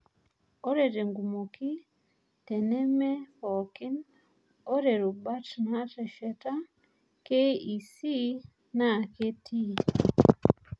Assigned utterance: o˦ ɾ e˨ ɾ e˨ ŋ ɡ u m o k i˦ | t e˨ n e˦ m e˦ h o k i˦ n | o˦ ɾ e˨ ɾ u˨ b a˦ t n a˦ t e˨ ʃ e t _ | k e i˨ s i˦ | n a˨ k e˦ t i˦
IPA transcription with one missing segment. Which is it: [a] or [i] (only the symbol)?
a